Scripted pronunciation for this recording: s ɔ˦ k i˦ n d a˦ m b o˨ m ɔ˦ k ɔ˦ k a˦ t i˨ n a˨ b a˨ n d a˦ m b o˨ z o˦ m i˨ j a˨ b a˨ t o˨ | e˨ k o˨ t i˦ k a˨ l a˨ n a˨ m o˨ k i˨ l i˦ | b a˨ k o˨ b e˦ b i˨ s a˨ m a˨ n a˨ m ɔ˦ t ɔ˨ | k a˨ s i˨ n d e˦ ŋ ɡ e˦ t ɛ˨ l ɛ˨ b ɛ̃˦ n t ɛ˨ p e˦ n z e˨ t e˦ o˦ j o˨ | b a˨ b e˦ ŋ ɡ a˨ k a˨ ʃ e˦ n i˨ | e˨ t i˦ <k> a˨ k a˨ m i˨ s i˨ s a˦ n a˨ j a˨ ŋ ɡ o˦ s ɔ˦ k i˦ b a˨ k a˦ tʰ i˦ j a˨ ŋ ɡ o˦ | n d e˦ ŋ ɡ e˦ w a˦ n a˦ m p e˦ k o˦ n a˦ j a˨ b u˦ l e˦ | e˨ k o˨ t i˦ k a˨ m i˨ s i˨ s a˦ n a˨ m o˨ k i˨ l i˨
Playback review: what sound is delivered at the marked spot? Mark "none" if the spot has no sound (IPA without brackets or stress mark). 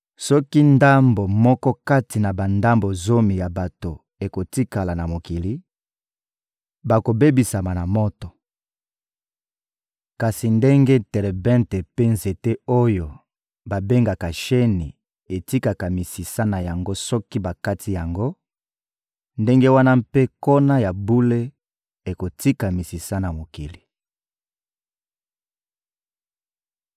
k